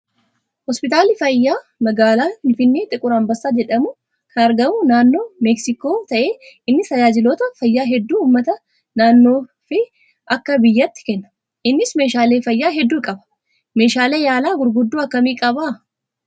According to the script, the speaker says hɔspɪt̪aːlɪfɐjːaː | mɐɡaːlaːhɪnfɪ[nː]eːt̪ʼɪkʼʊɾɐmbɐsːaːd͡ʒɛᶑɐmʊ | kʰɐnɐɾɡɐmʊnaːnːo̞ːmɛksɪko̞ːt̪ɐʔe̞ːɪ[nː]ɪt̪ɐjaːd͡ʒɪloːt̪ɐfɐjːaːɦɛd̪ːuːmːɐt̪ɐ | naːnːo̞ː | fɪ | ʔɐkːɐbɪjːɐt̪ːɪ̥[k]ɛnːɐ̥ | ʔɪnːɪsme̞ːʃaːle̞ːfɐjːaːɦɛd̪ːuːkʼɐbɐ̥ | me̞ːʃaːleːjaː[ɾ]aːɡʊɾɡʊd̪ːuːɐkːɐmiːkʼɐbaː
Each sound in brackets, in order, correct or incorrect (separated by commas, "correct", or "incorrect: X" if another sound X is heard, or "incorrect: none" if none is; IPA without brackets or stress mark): correct, correct, correct, incorrect: l